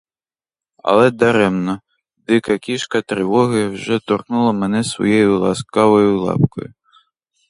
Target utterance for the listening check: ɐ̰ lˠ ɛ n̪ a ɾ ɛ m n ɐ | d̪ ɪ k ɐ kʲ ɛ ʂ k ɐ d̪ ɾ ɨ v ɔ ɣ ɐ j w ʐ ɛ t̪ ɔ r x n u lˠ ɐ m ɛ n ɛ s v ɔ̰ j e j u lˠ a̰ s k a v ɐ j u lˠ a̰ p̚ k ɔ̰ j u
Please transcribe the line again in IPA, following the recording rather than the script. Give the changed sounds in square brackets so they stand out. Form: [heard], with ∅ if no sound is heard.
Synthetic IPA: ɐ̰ lˠ ɛ [d̪] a ɾ ɛ m n ɐ | d̪ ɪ k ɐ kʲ [i] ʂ k ɐ [t̪] ɾ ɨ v ɔ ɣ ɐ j w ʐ ɛ t̪ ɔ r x n u lˠ ɐ m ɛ n ɛ s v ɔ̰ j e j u lˠ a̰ s k a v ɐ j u lˠ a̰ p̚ k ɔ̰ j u